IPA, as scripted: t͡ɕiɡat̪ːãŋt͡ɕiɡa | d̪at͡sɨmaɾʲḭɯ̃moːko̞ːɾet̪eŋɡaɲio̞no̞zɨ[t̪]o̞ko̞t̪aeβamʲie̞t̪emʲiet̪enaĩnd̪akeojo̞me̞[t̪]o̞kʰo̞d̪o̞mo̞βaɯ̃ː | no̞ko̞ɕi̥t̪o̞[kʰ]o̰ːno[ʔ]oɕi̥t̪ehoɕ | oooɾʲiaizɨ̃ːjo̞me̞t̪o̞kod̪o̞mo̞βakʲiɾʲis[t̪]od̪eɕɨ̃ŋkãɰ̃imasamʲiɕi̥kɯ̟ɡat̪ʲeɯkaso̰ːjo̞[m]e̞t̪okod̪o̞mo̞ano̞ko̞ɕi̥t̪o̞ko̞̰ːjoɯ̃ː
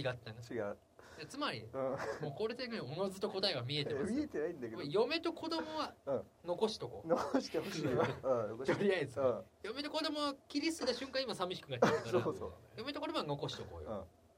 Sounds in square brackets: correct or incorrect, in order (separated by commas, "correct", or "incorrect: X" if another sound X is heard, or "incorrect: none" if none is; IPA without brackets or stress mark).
correct, correct, incorrect: k, incorrect: k, correct, correct